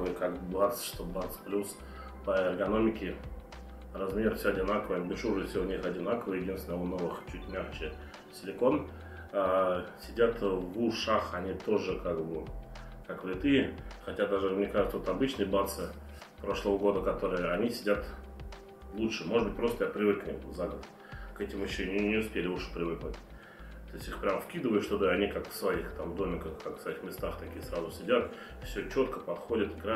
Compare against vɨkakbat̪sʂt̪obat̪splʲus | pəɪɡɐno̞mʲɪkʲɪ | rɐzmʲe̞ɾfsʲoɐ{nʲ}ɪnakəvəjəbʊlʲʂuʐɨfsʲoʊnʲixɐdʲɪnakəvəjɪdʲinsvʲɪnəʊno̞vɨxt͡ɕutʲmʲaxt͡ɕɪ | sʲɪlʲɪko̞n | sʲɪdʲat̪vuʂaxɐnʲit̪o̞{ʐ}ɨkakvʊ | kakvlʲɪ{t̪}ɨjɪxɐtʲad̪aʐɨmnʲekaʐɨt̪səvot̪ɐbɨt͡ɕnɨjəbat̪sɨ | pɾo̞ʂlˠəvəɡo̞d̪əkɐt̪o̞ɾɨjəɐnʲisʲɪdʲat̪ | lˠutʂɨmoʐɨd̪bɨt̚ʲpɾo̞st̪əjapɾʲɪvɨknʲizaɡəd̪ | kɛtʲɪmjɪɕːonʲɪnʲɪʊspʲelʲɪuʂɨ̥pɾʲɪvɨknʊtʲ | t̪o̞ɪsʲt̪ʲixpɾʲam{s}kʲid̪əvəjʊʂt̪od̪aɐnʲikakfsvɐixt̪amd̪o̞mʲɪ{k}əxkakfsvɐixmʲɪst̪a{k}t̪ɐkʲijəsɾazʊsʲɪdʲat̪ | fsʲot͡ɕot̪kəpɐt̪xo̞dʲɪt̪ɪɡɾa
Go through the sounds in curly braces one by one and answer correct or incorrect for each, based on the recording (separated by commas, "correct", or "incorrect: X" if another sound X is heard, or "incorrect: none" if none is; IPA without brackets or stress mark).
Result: incorrect: dʲ, correct, correct, incorrect: f, correct, incorrect: x